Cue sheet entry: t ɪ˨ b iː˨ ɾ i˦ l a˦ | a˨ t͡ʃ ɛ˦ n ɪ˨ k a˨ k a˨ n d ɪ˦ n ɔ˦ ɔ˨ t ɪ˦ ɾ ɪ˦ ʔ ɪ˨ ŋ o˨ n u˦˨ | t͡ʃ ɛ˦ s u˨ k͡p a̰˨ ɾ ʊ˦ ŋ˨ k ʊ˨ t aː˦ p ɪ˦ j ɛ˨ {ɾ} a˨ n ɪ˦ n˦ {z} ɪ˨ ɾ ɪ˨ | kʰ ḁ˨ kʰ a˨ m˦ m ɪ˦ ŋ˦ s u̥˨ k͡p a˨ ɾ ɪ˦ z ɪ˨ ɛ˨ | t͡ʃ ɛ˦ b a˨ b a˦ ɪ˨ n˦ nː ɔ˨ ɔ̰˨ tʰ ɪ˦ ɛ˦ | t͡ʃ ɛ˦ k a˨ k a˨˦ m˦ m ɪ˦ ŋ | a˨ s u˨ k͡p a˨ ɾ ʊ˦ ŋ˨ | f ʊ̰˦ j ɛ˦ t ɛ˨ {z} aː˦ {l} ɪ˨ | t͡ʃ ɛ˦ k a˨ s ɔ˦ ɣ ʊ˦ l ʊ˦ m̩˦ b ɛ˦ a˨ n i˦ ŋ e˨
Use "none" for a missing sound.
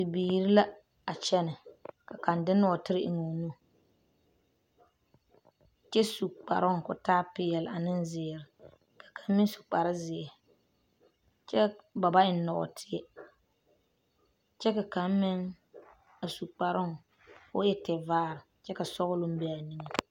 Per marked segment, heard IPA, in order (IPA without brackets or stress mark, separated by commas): l, z, v, ɾ